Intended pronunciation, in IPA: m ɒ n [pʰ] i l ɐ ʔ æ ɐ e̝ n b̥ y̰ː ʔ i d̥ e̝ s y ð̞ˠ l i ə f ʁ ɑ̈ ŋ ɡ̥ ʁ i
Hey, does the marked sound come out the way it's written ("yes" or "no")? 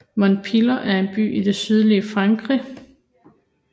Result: yes